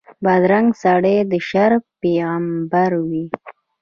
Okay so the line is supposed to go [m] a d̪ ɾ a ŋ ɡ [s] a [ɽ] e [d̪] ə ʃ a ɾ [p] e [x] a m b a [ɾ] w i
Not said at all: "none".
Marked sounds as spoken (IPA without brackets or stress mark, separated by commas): b, s, ɽ, d̪, p, ɣ, ɾ